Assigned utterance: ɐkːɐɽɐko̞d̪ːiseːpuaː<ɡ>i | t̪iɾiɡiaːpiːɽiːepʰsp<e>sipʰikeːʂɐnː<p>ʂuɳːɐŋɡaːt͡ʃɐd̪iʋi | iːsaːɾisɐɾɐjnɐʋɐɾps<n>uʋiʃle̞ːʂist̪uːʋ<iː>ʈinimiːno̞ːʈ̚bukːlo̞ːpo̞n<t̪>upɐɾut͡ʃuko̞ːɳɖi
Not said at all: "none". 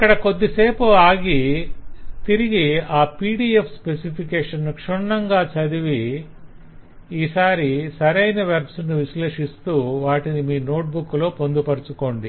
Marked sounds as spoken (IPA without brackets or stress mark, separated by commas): ɡ, e, k, n, aː, d̪